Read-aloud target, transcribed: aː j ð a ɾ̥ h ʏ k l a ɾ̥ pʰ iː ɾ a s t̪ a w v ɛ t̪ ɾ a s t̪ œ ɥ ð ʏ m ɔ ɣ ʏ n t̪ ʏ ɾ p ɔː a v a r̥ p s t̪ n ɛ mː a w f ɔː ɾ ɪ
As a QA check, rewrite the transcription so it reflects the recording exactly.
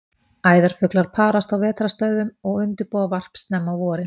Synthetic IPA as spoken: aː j ð a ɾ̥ f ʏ k l a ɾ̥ pʰ aː ɾ a s t̪ a w v ɛː t̪ ɾ a s t̪ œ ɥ ð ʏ m ɔ ɣ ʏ n t̪ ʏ ɾ p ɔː a v a r̥ p s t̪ n ɛ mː a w v ɔː ɾ ɪ